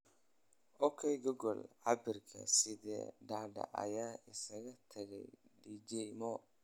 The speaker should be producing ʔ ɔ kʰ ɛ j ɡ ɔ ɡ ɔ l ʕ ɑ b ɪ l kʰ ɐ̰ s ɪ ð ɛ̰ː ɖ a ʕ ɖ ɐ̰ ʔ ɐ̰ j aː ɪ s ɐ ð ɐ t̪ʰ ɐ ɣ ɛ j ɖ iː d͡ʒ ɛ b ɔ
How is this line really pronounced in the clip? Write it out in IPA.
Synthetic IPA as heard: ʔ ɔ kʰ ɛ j ɡ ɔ ɡ ɔ l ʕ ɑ b ɪ r kʰ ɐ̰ s ɪ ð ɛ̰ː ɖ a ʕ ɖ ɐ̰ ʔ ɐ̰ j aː ɪ s ɐ ɣ ɐ t̪ʰ ɐ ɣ ɛ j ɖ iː d͡ʒ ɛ m ɔ